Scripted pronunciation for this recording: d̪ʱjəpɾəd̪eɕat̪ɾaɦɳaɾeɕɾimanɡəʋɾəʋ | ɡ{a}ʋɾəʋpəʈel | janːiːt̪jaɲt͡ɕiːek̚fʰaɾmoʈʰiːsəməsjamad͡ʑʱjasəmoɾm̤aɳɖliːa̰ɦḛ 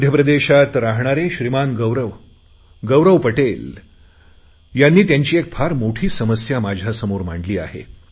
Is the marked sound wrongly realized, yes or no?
yes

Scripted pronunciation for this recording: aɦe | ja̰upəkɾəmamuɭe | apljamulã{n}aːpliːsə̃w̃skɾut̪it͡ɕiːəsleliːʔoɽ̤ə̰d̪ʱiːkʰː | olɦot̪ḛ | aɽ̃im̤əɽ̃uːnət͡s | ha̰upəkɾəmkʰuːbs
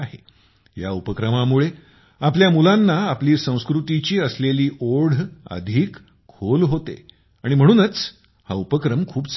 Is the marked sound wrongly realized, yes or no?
yes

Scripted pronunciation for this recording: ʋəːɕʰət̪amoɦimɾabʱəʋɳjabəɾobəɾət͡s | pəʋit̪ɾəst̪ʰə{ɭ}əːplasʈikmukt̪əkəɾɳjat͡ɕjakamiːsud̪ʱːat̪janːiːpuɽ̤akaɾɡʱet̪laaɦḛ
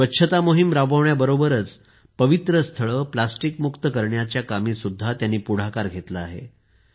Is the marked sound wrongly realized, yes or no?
no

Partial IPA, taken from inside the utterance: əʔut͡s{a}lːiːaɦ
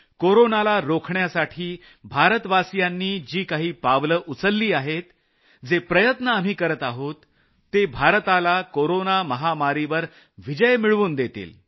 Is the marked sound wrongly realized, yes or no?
yes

